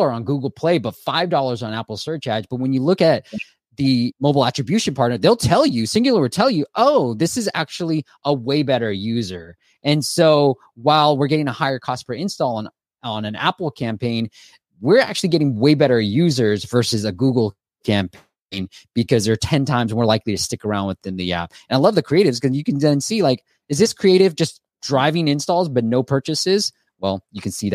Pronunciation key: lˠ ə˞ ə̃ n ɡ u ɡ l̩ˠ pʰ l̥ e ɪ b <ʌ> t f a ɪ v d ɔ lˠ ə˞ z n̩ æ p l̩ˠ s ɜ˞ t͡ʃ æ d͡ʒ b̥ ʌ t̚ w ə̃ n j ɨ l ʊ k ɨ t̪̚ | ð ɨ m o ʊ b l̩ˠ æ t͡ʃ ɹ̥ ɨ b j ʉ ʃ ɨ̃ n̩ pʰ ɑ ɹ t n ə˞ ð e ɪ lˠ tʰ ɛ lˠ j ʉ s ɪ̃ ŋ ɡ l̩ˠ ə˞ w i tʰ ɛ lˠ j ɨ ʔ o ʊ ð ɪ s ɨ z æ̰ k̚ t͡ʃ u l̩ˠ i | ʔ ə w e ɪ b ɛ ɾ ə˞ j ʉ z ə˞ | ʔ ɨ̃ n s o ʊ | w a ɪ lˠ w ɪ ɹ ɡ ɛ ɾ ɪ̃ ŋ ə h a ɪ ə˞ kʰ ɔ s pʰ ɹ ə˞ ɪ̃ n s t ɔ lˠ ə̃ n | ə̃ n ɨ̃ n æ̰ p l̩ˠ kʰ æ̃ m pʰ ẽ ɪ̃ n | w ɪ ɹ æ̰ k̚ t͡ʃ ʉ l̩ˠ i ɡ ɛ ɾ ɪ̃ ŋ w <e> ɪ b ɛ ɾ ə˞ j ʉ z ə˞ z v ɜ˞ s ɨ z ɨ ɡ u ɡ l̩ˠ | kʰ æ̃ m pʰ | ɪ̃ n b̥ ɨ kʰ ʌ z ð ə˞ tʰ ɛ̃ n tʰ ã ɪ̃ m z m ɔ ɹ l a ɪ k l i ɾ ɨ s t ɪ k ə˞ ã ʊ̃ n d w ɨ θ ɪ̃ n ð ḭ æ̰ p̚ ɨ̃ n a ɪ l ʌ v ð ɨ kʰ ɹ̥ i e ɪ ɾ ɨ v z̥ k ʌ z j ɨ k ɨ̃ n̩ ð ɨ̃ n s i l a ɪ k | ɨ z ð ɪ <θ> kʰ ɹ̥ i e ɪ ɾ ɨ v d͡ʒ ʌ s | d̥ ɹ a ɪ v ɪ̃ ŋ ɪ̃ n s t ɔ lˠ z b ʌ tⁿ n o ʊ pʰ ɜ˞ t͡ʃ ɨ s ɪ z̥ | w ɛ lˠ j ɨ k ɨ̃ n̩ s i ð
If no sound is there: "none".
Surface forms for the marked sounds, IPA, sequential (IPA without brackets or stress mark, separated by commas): ʌ, e, s